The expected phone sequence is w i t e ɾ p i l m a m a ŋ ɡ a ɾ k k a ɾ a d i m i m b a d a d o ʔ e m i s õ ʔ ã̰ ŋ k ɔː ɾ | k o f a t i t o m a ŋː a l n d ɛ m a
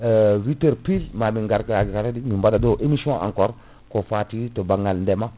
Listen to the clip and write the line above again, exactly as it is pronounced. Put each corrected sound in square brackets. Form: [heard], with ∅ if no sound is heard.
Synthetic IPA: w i t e ɾ p i l m a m [i] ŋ ɡ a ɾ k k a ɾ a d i m i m b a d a d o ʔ e m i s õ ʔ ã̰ ŋ k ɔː ɾ | k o f a t i t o [b] a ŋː a l n d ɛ m a